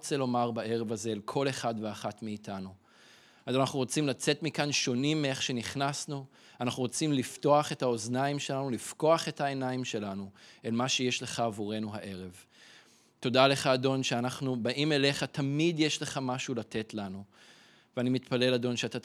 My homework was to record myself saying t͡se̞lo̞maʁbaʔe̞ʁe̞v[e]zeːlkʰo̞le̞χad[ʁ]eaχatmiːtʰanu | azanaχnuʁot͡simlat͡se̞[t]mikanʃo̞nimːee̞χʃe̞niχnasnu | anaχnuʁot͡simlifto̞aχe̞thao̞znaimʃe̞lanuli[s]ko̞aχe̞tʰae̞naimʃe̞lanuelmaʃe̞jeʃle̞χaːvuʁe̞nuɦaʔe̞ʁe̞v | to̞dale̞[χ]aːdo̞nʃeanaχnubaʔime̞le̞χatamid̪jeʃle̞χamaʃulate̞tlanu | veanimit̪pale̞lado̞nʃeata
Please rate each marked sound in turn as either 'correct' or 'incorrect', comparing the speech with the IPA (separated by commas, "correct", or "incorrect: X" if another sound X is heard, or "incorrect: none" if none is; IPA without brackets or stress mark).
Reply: incorrect: a, incorrect: v, correct, incorrect: f, correct